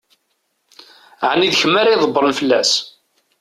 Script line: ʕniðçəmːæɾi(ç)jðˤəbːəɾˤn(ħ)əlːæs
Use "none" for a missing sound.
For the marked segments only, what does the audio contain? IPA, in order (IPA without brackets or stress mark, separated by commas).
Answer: none, f